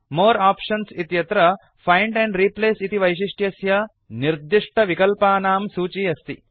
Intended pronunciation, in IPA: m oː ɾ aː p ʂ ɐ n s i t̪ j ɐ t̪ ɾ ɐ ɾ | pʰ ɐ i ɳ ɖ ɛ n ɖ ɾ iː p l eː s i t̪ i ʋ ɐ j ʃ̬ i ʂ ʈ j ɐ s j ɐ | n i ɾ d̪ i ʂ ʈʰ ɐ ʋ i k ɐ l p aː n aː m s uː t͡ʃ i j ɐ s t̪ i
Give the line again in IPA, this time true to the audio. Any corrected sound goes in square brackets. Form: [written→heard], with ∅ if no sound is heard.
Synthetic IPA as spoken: m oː ɾ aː p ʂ ɐ n s i t̪ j ɐ t̪ ɾ ɐ [ɾ→∅] | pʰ ɐ [i→j] ɳ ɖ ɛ [n→ɳ] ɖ ɾ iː p l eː s i t̪ i ʋ ɐ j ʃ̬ i ʂ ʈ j ɐ s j ɐ | n i ɾ d̪ i ʂ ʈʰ ɐ ʋ i k ɐ l p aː n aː m s uː t͡ʃ i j ɐ s t̪ i